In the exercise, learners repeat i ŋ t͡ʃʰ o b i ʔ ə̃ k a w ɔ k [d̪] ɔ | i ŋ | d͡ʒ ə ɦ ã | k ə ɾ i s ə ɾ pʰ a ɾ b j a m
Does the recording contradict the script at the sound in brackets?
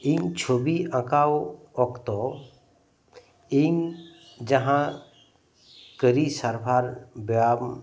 yes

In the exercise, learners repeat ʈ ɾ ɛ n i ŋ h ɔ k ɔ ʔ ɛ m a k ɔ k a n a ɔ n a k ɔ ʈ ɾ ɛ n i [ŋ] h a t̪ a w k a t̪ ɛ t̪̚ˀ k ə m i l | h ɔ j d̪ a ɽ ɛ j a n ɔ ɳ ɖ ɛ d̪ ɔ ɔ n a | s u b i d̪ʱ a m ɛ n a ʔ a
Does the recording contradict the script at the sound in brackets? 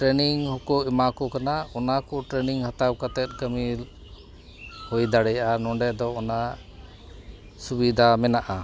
no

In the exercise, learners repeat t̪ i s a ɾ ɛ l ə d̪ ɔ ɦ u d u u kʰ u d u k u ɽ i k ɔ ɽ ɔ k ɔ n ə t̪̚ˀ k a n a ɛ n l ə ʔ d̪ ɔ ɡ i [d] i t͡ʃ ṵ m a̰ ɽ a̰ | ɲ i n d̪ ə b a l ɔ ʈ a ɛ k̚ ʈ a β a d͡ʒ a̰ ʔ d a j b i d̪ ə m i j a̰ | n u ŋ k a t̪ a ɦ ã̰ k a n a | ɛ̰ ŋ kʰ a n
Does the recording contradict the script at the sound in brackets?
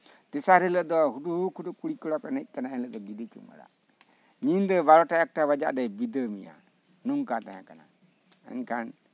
no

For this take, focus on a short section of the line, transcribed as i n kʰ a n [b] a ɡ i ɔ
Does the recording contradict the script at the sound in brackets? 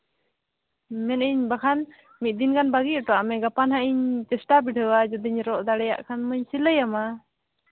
no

